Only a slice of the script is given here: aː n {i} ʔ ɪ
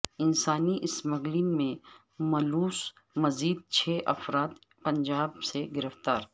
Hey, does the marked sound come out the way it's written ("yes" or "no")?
yes